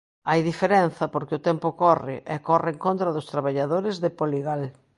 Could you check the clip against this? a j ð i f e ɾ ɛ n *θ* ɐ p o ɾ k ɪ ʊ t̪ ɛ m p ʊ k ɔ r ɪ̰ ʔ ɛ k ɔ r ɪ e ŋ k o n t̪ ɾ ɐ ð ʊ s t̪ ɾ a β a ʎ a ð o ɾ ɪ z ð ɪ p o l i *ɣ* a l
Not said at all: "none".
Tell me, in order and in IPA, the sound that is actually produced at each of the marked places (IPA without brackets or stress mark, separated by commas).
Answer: θ, ɣ